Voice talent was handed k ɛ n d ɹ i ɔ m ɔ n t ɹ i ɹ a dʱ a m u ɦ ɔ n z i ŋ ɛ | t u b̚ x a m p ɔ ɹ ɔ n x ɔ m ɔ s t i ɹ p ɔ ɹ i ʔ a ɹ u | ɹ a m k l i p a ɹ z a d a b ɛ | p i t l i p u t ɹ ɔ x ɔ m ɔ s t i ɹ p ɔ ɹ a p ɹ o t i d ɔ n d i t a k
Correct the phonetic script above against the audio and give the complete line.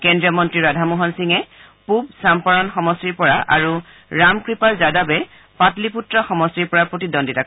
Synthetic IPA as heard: k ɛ n d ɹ i ɔ m ɔ n t ɹ i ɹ a dʱ a m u ɦ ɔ n s i ŋ ɛ | p u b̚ s a m p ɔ ɹ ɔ n x ɔ m ɔ s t i ɹ p ɔ ɹ a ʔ a ɹ u | ɹ a m k ɹ i p a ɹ z a d a b ɛ | p a t l i p u t ɹ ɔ x ɔ m ɔ s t i ɹ p ɔ ɹ a p ɹ o t i d ɔ n d i t a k